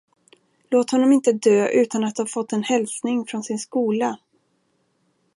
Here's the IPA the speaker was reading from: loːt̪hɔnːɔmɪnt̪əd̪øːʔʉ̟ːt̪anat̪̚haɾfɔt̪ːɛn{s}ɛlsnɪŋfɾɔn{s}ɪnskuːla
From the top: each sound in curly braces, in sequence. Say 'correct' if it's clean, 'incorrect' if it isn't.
incorrect: h, correct

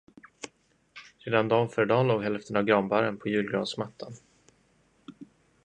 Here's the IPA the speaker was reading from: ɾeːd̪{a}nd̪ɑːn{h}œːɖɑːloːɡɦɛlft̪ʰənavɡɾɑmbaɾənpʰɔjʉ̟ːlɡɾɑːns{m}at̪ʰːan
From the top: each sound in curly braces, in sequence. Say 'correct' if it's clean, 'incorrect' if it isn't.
correct, incorrect: f, correct

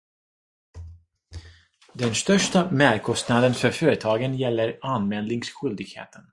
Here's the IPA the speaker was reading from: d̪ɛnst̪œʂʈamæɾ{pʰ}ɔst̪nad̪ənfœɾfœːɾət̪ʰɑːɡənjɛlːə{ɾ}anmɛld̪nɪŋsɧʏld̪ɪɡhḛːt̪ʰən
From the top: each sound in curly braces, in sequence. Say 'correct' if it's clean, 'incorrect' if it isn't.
incorrect: kʰ, correct

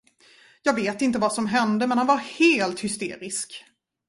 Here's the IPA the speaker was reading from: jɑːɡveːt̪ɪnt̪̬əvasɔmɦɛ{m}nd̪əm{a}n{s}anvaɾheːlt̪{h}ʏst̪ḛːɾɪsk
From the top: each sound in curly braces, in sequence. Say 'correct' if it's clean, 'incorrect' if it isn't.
incorrect: none, incorrect: ɛ, incorrect: h, correct

